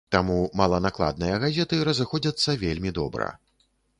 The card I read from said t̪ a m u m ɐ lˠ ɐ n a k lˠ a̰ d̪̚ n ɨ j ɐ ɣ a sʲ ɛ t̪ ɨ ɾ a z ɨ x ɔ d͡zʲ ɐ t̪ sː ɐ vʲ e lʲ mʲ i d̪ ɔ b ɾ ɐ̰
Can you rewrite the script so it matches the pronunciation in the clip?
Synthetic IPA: t̪ a m u m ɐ lˠ ɐ n a k lˠ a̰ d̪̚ n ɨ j ɐ ɣ a zʲ ɛ t̪ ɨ ɾ ɐ z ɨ x ɔ d͡zʲ ɐ t̪ sː ɐ vʲ e lʲ mʲ i d̪ ɔ b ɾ ɐ̰

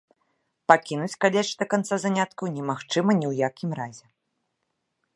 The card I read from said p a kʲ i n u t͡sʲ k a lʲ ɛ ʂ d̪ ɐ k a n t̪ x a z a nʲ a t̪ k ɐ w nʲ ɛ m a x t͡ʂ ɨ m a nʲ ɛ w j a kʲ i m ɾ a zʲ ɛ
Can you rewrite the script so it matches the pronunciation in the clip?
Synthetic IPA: p a kʲ i n u t͡sʲ k a lʲ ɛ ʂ d̪ ɐ k a n t̪ s a z a nʲ a t̪ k ɐ w nʲ ɛ m a x t͡ʂ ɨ m ɐ nʲ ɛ w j a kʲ i m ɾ a zʲ ɛ

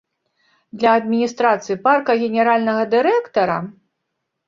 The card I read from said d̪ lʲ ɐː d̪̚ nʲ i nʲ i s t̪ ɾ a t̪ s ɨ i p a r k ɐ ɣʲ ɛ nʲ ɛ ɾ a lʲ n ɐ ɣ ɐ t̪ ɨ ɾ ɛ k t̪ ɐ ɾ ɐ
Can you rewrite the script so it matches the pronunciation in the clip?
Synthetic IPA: d̪ lʲ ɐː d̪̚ mʲ i nʲ i s t̪ ɾ a t̪ s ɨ i p a r k ɐ ɣʲ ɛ nʲ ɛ ɾ a lʲ n ɐ ɣ ɐ d̪ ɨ ɾ ɛ k t̪ ɐ ɾ ɐ

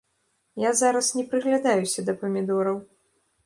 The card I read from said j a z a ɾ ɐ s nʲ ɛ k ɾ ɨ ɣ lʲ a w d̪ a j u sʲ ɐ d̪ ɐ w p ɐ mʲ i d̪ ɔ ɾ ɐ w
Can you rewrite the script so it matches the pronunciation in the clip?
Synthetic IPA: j a z a ɾ ɐ s nʲ ɛ p ɾ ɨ ɣ lʲ a d̪ a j u sʲ ɐ d̪ ɐ p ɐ mʲ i d̪ ɔ ɾ ɐ w

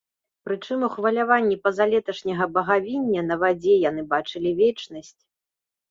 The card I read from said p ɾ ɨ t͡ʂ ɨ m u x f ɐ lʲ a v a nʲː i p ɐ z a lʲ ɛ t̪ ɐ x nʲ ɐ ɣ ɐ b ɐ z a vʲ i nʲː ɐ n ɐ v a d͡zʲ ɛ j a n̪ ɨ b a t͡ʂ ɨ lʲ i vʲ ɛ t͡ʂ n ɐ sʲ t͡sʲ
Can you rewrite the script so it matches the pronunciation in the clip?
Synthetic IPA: p ɾ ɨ t͡ʂ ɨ m u x v ɐ lʲ a v a nʲː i p ɐ z a lʲ ɛ t̪ ɐ ʂ nʲ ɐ ɣ ɐ b ɐ ɣ a vʲ i nʲː ɐ n ɐ v a d͡zʲ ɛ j a n̪ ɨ b a t͡ʂ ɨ lʲ i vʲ ɛ t͡ʂ n ɐ sʲ t͡sʲ

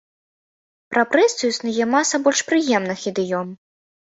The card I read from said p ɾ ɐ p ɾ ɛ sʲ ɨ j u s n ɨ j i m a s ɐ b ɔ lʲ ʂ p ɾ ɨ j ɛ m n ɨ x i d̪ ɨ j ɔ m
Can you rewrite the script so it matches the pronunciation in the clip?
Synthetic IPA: p ɾ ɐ p ɾ ɛ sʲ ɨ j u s n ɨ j ɛ m a s ɐ b ɔ lʲ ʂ p ɾ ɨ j ɛ m n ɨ x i d̪ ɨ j ɔ m

